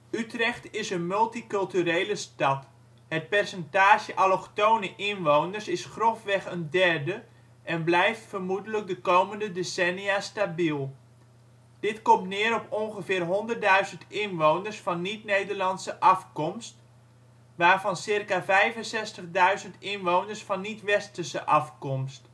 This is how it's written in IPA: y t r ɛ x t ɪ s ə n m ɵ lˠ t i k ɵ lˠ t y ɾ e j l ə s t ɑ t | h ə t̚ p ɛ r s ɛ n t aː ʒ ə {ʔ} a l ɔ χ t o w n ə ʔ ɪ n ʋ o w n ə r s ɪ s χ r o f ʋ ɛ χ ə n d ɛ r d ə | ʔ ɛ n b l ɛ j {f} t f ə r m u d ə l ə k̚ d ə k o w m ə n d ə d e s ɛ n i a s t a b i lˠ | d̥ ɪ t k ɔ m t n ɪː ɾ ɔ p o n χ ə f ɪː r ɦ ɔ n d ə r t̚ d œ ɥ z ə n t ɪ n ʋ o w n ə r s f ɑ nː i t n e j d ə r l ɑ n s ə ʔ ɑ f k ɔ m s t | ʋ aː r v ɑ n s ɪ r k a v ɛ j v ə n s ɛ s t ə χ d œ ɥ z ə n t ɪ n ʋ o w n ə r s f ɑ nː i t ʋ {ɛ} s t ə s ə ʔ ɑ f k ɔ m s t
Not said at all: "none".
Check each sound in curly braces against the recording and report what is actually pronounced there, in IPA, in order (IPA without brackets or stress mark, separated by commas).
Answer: ʔ, f, ɛ